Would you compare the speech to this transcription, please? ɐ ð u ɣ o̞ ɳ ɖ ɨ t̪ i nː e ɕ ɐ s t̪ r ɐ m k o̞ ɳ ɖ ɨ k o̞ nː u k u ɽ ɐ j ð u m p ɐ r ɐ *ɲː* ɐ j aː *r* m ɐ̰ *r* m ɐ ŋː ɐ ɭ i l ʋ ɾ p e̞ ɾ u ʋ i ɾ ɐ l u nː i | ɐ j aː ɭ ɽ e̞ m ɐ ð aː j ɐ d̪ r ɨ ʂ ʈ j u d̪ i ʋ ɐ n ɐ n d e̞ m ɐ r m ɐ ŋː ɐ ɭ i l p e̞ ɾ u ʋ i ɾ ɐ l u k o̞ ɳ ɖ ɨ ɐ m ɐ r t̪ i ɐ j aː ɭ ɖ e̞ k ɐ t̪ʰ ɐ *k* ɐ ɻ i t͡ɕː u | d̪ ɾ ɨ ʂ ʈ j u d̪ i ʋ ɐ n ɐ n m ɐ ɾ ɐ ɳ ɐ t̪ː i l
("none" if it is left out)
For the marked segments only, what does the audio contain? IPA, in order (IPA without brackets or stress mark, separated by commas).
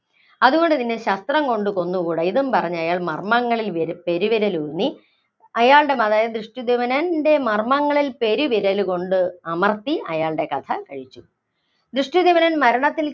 ɲː, ɭ, r, k